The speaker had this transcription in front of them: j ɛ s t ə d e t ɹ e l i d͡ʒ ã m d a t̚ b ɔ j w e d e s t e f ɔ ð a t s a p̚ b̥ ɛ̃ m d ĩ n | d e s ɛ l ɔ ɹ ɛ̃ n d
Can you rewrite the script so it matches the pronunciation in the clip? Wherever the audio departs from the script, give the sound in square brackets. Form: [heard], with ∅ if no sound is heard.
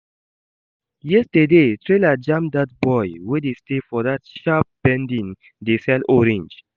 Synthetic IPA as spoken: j ɛ s t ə d e t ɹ e l [a] d͡ʒ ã m d a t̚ b ɔ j w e d e s t e f ɔ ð a t [ʃ] a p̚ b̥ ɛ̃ [n] d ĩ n | d e s ɛ l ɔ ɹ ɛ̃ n [d͡ʒ]

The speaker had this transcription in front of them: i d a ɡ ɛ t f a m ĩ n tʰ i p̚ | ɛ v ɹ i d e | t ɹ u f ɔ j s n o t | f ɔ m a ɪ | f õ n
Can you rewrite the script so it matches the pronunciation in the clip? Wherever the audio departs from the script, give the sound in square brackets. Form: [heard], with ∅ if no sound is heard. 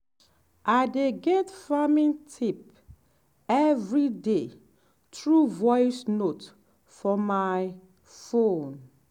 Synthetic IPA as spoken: [a] d [e] ɡ ɛ t f a m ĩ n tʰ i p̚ | ɛ v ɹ i d e | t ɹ u [v] ɔ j s n o t | f ɔ m a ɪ | f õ n

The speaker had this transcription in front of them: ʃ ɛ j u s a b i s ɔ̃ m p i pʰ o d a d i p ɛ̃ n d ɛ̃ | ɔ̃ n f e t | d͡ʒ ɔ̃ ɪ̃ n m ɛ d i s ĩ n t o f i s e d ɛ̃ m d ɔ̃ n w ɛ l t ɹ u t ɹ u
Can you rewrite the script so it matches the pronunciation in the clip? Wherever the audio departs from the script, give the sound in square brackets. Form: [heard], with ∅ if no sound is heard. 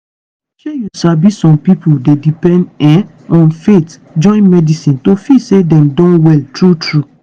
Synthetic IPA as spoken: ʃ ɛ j u s a b i s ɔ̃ m p i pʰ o d [e] d i p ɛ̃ n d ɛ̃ | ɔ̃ n f e t | d͡ʒ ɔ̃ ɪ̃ n m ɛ d i s ĩ n t o f i s e d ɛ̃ m d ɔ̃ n w ɛ l t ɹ u t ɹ u

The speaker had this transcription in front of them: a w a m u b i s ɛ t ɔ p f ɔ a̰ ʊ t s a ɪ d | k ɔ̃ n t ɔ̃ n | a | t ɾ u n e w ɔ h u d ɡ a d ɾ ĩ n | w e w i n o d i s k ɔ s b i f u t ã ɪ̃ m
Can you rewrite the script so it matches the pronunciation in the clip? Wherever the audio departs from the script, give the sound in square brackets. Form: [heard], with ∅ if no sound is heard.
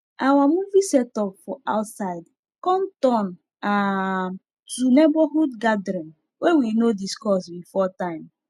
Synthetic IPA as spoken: a w a m u [v] i s ɛ t ɔ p f ɔ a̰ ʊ t s a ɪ d | k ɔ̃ n t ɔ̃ n | a | t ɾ u n e [b] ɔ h u d ɡ a d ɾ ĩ n | w e w i n o d i s k ɔ s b i f [ɔ] t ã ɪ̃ m

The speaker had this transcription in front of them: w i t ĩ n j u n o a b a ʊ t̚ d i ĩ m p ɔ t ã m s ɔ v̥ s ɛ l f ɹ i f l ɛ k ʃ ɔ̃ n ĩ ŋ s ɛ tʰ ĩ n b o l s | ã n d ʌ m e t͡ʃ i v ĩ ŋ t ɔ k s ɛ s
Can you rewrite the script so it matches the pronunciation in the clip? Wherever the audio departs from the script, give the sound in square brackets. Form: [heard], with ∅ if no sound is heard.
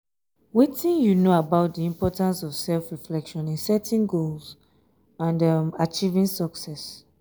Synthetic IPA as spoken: w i t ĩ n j u n o a b a ʊ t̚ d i ĩ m p ɔ t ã [n] s ɔ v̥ s ɛ l f ɹ i f l ɛ k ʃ ɔ̃ n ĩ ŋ s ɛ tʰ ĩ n [ɡ] o l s | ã n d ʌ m [a] t͡ʃ i v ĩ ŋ [s] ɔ k s ɛ s

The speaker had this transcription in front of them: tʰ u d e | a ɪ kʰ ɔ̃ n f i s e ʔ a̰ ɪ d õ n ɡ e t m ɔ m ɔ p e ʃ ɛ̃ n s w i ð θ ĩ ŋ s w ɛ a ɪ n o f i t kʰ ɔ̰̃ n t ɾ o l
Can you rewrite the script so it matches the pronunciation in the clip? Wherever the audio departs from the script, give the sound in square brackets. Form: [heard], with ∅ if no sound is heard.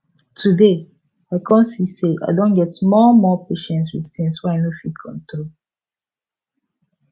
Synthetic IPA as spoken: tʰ u d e | a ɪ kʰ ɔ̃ n [s] i s e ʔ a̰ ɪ d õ n ɡ [ɛ] t m ɔ m ɔ p e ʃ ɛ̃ n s w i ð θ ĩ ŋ s w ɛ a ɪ n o f i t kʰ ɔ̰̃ n t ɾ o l

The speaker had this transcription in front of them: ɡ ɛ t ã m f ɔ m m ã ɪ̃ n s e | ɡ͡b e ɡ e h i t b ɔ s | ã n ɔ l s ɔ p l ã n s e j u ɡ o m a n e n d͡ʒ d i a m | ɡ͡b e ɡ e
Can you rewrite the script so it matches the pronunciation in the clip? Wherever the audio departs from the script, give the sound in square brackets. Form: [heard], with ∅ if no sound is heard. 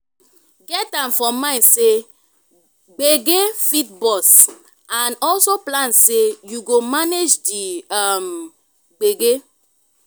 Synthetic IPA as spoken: ɡ ɛ t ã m f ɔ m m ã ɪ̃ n s e | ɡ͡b e ɡ e [f] i t b ɔ s | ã n ɔ l s [o] p l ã n s e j u ɡ o m a n e [∅] d͡ʒ d i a m | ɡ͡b e ɡ e

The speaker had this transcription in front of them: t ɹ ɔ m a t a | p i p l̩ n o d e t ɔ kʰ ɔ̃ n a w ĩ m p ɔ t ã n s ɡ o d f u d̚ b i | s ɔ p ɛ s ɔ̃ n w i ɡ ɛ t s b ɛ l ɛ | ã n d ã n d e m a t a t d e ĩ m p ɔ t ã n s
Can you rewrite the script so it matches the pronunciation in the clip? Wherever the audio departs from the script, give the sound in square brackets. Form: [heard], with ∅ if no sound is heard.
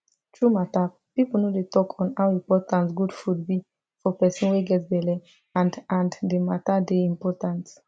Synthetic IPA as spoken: t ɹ [u] m a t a | p i p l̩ n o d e t ɔ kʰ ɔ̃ n a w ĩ m p ɔ t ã n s ɡ [u] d f u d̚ b i | [f] ɔ p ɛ s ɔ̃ n w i ɡ ɛ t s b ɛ l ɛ | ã n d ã n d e m a t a [∅] d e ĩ m p ɔ t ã n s

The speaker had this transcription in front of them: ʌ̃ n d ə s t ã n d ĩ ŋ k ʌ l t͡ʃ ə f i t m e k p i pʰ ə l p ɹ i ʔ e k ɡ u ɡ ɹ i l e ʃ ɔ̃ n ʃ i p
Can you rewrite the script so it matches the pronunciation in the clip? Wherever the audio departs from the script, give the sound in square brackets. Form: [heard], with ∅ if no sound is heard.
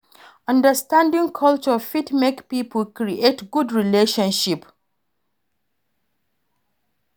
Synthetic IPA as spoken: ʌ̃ n d ə s t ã n d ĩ ŋ [kʰ] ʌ l t͡ʃ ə f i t m e k p i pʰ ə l [k] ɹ i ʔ e [t] ɡ u [d] ɹ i l e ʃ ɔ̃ n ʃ i p

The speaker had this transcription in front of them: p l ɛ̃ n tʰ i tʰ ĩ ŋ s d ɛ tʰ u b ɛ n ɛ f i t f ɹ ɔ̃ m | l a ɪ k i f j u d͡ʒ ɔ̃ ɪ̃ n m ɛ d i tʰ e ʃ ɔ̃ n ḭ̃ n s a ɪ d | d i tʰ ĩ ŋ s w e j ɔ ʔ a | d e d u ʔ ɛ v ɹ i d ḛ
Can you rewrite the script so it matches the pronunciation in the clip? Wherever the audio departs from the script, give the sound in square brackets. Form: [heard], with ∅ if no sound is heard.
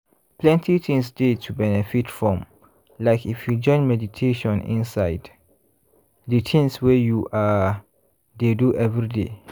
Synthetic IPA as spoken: p l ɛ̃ n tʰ i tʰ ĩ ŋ s d [e] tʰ u b ɛ n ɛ f i t f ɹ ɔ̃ m | l a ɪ k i f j u d͡ʒ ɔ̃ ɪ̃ n m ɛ d i tʰ e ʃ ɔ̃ n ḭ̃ n s a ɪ d | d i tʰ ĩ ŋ s w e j [u] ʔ a | d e d u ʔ ɛ v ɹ i d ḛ

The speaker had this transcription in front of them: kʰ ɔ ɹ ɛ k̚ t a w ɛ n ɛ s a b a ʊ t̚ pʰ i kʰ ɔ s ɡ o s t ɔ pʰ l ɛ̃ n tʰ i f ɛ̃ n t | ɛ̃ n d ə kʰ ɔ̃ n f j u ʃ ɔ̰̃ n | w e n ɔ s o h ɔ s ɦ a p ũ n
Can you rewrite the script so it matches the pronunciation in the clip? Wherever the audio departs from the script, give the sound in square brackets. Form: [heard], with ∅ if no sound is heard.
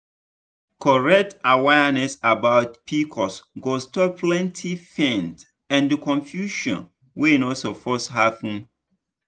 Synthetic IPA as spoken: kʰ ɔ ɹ ɛ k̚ t a w ɛ n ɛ s a b a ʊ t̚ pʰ i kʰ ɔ s ɡ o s t ɔ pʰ l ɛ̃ n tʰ i f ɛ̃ n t | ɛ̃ n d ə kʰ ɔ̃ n f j u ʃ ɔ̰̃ n | w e n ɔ s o [f] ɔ s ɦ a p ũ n

